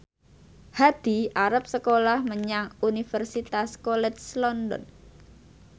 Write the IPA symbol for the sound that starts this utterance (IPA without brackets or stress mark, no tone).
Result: h